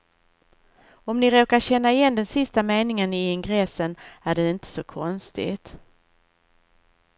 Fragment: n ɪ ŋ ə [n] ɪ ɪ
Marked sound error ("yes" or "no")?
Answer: no